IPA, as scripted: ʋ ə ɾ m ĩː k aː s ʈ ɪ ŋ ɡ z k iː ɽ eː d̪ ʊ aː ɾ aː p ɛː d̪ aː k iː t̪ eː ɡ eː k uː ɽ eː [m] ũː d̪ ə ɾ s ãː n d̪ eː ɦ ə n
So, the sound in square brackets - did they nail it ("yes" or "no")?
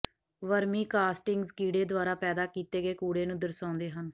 no